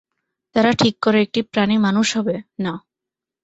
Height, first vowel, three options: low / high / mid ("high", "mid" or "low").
low